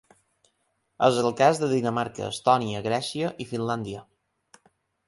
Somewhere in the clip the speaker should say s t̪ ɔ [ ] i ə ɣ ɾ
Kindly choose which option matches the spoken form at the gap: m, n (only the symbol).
n